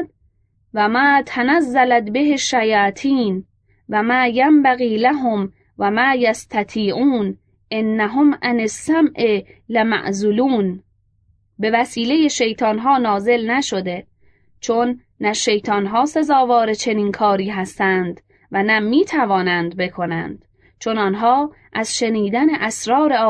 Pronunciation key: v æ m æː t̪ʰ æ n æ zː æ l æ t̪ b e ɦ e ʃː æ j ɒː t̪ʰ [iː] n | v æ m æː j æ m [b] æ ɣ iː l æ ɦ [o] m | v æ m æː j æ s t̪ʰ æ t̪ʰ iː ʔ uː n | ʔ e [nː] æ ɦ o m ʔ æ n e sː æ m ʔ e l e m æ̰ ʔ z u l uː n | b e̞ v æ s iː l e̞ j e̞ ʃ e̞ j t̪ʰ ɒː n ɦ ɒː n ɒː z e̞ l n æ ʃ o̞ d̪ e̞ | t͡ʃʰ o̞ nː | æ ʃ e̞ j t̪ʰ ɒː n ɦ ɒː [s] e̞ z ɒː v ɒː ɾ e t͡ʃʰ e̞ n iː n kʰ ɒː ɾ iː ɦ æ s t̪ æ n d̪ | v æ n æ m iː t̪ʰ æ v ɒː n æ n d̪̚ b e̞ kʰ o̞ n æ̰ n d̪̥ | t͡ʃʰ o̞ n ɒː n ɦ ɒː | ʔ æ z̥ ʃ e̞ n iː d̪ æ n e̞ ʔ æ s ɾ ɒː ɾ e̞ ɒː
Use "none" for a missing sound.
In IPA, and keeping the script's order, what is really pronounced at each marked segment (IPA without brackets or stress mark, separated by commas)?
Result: iː, b, o, nː, s